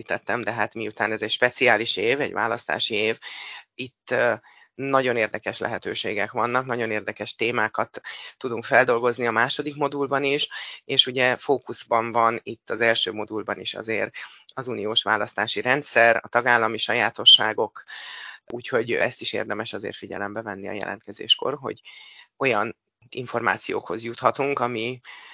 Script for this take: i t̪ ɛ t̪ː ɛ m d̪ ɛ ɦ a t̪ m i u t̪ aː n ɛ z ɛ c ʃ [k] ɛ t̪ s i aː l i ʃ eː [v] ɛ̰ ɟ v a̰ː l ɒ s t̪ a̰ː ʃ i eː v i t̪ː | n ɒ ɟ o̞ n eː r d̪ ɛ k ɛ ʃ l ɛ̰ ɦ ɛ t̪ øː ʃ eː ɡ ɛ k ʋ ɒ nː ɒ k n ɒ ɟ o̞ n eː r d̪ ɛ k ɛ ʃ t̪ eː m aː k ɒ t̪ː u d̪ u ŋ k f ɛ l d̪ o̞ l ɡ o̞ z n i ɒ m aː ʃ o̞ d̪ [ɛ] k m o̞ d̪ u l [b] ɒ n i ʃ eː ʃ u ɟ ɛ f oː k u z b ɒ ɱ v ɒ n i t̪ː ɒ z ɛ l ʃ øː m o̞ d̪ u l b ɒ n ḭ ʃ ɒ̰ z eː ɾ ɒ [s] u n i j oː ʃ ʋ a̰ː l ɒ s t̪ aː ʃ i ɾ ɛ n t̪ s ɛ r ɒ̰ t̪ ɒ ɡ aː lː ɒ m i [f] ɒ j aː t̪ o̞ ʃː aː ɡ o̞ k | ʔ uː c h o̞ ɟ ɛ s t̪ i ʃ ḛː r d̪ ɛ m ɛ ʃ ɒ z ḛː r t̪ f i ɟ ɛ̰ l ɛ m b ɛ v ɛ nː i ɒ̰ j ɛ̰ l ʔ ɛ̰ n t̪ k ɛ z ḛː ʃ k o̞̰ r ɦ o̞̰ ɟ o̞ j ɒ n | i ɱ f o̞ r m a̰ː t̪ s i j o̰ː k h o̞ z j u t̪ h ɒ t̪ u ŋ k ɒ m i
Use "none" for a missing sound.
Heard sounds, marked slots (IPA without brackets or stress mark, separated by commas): p, v, i, b, z, ʃ